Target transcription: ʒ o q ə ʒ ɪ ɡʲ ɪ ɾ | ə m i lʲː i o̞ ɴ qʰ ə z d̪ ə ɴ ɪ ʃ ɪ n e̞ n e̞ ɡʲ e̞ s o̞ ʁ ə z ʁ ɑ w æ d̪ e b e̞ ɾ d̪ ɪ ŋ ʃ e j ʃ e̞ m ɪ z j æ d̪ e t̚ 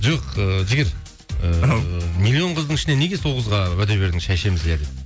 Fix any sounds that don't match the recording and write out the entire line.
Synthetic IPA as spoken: ʒ o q ə ʒ ɪ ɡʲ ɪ ɾ | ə m i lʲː i o̞ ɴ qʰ ə z d̪ ə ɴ ɪ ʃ ɪ n e̞ n e̞ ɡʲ e̞ s o̞ ʁ ə z ʁ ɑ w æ d̪ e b e̞ ɾ d̪ ɪ ŋ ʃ æ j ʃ e̞ m ɪ z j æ d̪ e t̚